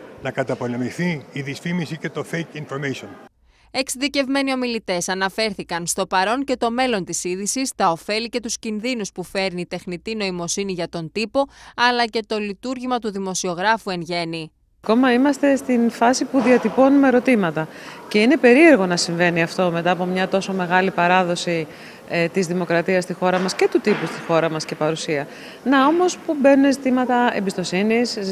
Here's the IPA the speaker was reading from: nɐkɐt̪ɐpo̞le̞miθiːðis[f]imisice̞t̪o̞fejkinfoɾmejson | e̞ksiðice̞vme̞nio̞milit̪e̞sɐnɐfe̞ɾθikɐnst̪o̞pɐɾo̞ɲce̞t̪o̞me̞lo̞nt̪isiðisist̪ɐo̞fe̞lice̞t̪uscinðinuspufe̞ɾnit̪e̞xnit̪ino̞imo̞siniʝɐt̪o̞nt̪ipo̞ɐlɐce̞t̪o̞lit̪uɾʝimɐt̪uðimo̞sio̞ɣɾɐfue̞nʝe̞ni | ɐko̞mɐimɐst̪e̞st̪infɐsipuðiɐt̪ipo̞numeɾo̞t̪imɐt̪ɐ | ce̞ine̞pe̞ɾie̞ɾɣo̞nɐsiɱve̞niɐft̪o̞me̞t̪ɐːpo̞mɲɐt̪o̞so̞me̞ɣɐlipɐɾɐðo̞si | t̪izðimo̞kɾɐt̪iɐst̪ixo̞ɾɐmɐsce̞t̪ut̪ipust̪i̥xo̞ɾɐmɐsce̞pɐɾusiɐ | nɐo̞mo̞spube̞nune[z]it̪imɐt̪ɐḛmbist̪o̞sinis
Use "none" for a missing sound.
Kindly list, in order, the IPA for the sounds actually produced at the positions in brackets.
f, z

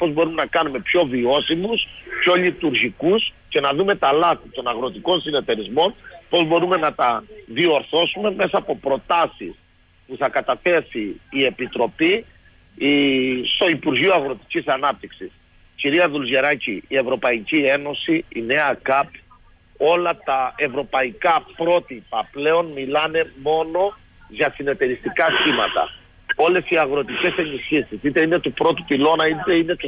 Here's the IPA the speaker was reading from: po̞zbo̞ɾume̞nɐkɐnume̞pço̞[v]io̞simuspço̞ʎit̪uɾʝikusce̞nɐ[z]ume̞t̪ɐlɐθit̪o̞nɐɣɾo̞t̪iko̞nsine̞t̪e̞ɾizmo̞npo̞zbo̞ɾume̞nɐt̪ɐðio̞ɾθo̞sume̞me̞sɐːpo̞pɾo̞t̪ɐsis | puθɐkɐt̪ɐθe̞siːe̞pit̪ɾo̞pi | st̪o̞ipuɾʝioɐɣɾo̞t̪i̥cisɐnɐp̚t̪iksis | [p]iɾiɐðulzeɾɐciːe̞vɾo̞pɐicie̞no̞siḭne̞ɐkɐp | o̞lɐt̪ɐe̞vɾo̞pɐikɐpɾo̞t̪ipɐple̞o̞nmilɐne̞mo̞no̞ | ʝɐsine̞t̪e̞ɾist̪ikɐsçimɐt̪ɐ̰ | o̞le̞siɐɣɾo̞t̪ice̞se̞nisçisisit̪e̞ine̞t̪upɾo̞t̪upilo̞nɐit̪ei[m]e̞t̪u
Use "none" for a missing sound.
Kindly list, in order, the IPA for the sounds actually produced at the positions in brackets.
v, ð, c, n

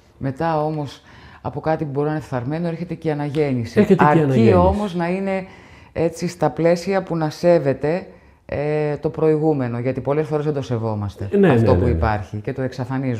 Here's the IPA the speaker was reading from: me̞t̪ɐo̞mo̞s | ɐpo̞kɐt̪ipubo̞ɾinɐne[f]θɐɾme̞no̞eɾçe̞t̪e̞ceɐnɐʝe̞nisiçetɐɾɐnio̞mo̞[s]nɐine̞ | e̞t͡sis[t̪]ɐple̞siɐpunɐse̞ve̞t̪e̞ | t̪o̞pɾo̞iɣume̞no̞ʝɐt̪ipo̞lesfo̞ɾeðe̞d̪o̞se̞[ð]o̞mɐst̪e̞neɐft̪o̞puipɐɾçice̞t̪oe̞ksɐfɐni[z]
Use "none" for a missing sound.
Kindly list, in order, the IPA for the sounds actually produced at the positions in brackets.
f, z, t̪, v, z

